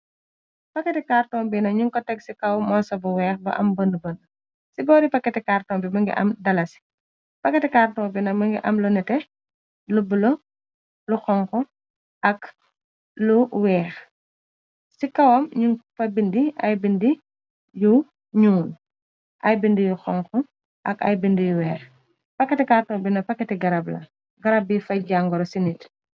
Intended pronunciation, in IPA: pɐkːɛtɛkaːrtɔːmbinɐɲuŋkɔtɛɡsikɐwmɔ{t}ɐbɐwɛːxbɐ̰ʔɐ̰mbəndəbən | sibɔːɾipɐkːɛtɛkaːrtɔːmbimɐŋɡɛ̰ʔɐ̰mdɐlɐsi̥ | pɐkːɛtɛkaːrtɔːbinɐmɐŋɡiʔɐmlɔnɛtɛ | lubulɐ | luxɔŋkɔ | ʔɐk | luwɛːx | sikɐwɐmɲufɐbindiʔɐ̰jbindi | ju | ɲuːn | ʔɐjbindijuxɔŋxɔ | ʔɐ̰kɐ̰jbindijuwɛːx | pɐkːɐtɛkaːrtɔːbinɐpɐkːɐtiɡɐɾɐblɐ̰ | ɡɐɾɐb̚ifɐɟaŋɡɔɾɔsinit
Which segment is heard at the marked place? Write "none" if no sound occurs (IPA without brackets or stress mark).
s